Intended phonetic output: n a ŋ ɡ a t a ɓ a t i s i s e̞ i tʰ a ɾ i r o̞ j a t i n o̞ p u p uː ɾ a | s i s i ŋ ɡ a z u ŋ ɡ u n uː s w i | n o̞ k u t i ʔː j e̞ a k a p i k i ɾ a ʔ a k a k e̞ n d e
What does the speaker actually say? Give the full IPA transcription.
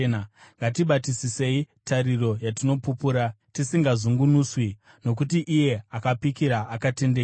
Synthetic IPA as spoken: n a ŋ ɡ a t i ɓ a t i s i s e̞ i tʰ a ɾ i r o̞ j a t i n o̞ p u p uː ɾ a | t i s i ŋ ɡ a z u ŋ ɡ u n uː s w i | n o̞ k u t i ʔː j e̞ a k a p i k i ɾ a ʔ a k a t e̞ n d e